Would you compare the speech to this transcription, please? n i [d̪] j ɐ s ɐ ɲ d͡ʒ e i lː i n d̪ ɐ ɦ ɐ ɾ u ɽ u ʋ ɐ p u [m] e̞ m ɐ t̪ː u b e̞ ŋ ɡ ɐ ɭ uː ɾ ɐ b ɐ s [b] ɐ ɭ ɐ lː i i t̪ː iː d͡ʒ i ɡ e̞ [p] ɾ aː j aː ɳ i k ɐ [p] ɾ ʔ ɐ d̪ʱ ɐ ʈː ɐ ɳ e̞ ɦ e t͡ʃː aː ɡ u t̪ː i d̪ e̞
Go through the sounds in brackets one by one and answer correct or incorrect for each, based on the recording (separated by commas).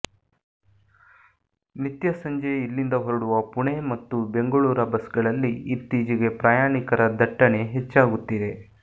incorrect, incorrect, incorrect, correct, incorrect